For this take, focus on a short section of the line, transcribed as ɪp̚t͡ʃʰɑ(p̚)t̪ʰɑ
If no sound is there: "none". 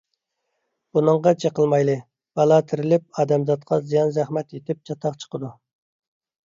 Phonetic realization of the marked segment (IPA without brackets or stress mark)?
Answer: none